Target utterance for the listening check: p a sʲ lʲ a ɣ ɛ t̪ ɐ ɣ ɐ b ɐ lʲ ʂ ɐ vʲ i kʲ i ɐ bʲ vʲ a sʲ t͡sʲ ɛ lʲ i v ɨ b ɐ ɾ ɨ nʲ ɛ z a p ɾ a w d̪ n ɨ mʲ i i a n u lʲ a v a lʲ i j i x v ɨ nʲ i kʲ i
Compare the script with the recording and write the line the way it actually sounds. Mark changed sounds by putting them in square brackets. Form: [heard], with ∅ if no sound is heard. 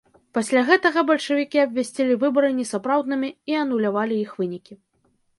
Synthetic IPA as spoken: p a sʲ lʲ a ɣ ɛ t̪ ɐ ɣ ɐ b ɐ lʲ ʂ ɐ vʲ i kʲ i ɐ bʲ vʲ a sʲ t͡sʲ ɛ lʲ i v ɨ b ɐ ɾ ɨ nʲ ɛ [s] a p ɾ a w d̪ n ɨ mʲ i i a n u lʲ a v a lʲ i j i x v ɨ nʲ i kʲ i